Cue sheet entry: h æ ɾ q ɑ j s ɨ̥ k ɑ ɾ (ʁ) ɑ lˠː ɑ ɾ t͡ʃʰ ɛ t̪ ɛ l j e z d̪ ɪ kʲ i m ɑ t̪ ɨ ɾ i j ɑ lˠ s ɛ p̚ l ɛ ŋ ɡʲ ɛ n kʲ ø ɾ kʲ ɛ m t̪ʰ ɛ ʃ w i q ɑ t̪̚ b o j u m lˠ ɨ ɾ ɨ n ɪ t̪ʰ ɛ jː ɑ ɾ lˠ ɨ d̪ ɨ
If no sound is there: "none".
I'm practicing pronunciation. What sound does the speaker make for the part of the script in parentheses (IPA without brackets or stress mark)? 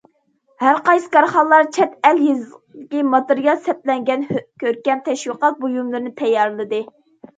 χ